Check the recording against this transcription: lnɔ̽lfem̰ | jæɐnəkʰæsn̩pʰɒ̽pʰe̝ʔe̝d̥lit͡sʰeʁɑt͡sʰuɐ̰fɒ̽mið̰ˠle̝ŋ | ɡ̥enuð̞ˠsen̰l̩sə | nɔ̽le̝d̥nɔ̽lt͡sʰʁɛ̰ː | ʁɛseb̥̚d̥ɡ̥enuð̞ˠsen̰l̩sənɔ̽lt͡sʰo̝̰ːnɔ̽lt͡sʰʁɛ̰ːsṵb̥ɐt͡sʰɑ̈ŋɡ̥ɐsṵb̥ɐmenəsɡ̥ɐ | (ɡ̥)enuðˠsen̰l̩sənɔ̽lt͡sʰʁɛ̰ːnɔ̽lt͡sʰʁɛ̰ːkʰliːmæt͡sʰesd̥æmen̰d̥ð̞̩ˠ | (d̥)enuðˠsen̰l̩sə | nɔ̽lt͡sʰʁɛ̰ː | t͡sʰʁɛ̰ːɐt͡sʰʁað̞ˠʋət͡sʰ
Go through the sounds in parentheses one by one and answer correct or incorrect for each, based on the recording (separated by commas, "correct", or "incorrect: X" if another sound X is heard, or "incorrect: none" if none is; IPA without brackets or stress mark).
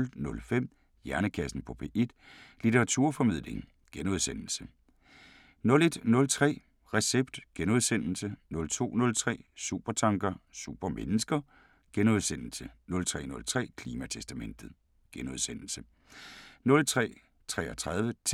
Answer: correct, incorrect: ɡ̥